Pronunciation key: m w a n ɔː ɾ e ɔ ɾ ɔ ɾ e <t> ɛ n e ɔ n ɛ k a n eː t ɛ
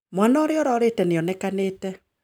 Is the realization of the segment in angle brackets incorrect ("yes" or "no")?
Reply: no